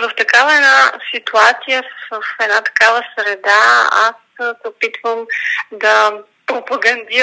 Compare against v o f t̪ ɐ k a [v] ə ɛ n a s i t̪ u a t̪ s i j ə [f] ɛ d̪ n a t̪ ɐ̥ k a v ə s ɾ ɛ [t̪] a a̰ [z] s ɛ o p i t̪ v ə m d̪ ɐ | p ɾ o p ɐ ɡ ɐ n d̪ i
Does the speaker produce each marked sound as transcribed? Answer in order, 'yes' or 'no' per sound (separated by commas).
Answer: yes, yes, no, no